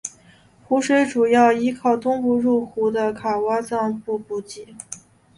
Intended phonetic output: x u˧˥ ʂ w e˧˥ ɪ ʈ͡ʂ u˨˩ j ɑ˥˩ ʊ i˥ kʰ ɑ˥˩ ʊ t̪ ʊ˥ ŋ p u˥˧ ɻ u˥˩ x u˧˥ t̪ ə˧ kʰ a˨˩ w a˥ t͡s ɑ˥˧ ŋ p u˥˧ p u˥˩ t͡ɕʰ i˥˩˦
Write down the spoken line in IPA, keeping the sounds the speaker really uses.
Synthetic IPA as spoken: x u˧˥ ʂ w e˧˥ ɪ ʈ͡ʂ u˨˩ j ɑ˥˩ ʊ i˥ kʰ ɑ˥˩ ʊ t̪ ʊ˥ ŋ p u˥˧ ɻ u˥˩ x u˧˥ d̪ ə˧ kʰ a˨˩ w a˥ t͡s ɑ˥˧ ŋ p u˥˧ p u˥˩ t͡ɕ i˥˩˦